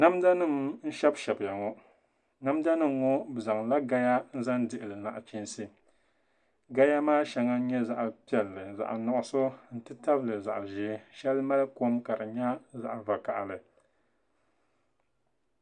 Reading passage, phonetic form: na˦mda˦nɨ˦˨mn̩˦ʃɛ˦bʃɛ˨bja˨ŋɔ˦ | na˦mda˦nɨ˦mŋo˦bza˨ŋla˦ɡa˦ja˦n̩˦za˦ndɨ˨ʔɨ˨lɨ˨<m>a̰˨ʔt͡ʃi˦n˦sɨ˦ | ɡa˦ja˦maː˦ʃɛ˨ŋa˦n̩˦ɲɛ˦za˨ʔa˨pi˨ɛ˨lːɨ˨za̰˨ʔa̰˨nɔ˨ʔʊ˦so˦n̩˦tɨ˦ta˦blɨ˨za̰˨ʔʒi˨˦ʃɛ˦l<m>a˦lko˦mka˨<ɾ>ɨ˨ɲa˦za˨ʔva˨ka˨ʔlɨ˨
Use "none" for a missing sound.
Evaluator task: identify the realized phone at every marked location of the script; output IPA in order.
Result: n, m, ɾ

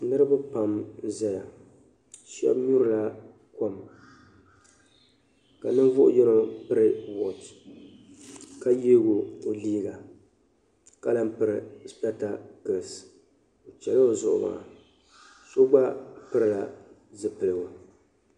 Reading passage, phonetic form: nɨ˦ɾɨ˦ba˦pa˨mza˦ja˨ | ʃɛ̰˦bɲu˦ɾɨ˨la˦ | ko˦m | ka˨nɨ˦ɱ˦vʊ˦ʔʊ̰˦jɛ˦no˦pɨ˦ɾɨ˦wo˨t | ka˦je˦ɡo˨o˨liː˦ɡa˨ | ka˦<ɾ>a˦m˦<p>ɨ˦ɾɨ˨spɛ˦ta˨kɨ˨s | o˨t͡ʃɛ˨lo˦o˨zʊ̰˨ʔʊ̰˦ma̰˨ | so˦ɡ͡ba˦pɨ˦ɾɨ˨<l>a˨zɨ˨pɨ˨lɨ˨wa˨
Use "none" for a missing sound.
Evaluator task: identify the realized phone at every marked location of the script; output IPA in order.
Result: l, p, l

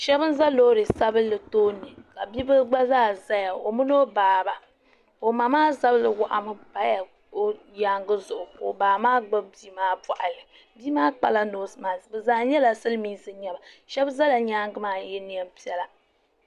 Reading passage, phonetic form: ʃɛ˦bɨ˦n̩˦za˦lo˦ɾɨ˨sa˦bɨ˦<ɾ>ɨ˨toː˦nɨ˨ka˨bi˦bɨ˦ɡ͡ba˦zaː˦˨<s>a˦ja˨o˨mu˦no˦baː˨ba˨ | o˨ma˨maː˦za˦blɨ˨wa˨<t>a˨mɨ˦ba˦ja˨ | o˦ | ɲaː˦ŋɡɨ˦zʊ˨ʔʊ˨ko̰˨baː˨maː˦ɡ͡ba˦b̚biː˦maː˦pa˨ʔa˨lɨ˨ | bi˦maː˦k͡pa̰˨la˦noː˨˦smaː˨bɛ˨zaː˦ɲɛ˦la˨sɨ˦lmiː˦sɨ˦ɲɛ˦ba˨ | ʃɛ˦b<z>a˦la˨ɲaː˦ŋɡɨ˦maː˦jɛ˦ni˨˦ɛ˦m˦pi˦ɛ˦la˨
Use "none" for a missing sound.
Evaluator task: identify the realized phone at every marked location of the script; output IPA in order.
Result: l, z, ʔ, z

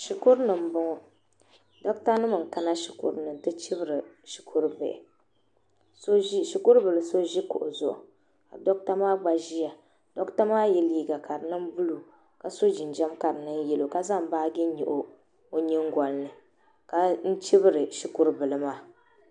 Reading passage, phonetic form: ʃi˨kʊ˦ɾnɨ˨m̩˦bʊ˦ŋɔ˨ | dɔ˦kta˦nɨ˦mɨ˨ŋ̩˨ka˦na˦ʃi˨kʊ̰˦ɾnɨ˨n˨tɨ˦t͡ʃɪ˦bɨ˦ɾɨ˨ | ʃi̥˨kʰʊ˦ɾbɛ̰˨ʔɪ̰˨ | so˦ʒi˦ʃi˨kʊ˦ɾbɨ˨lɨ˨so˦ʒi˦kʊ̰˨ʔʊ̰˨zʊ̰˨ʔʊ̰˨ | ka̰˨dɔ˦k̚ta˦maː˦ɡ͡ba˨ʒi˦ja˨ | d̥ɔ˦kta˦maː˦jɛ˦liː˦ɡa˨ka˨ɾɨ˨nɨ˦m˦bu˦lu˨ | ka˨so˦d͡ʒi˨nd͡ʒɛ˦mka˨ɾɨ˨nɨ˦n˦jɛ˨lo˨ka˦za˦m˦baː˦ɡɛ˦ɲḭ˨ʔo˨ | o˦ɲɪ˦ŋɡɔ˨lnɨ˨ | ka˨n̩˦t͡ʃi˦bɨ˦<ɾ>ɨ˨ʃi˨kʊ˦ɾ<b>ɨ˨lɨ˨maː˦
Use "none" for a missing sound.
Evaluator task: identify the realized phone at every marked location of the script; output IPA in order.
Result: ɾ, b

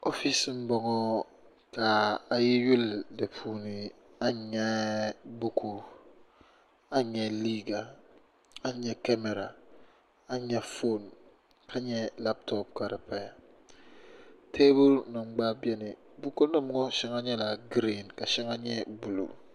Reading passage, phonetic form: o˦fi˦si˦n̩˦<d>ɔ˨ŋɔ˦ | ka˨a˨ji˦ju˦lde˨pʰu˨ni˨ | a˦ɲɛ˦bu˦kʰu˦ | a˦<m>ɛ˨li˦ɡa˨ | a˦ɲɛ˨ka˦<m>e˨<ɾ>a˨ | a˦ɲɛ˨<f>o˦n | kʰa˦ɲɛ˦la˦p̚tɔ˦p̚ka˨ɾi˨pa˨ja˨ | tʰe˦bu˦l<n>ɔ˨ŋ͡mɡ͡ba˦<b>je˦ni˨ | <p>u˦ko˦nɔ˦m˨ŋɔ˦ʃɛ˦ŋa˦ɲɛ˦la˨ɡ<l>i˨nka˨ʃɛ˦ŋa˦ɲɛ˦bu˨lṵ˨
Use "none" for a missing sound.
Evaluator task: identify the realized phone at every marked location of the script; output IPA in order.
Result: b, ɲ, m, ɾ, f, n, b, b, ɾ

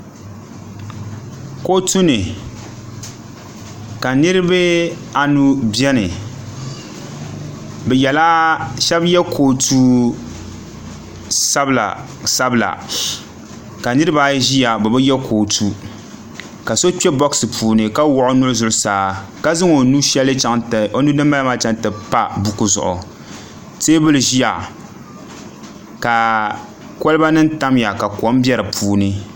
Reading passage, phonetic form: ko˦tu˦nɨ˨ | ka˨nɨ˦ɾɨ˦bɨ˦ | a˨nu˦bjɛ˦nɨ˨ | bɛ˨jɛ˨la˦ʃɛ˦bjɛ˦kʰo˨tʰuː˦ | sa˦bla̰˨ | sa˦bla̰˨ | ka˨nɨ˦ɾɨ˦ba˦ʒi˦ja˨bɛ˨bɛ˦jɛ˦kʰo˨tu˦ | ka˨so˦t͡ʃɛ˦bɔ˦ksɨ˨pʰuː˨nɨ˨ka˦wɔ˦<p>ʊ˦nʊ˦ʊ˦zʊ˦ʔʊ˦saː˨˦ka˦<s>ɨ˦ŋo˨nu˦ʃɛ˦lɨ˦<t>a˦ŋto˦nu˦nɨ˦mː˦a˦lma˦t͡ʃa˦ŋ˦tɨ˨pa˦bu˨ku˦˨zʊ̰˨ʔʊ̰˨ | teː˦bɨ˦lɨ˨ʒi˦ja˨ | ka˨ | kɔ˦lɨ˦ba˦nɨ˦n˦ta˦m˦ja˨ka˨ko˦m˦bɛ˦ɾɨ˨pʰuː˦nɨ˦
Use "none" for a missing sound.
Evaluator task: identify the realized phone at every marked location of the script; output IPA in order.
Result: ʔ, z, t͡ʃ

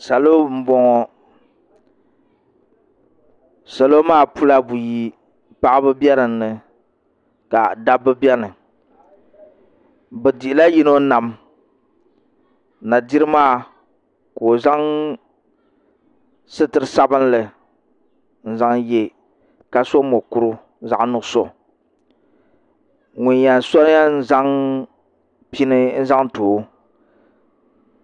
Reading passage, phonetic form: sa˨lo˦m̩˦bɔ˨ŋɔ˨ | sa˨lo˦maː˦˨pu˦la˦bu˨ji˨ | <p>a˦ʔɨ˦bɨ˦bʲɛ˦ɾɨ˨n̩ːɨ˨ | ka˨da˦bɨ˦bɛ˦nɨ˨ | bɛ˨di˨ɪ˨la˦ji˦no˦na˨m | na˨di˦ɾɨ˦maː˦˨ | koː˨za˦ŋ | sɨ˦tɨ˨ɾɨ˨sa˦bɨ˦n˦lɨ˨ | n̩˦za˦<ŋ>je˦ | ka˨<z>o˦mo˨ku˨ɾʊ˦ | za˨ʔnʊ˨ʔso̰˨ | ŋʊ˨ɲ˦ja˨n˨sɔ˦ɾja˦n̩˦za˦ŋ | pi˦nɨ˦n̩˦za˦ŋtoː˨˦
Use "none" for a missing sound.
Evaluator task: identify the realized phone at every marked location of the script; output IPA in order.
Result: p, ŋ, s

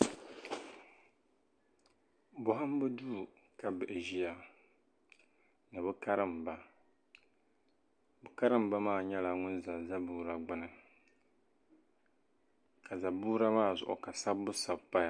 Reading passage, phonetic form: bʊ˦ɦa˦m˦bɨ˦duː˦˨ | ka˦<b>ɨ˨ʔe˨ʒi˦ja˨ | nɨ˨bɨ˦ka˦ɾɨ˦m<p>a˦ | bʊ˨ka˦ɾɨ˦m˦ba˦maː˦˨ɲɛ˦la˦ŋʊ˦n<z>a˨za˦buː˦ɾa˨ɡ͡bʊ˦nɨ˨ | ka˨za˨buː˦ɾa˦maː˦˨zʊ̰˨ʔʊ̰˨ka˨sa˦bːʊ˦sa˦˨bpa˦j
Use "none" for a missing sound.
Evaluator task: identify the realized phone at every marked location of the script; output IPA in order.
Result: b, b, z

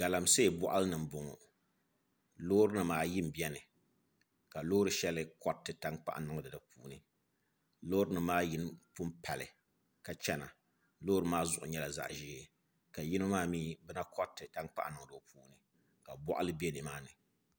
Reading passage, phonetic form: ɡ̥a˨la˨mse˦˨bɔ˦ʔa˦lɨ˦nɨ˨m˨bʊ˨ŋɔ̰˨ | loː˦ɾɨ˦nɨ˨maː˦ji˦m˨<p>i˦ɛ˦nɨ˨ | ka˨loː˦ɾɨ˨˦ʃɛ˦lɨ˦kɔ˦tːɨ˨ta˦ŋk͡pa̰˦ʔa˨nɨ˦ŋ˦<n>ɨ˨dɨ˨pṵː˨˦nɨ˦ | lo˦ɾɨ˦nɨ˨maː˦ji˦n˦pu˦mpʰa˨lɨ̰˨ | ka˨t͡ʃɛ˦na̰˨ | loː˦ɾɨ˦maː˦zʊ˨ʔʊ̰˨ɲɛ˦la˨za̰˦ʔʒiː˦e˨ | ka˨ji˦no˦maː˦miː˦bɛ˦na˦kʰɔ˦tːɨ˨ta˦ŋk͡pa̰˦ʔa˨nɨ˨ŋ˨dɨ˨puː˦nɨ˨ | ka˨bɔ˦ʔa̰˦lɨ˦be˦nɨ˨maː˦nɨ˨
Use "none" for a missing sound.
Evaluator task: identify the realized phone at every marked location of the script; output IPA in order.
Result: b, d

